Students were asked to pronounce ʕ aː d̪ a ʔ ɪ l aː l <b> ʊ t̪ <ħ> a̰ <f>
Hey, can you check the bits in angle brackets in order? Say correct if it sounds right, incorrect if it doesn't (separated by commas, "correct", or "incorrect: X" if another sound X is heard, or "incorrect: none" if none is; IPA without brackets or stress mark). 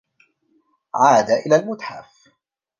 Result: incorrect: m, correct, correct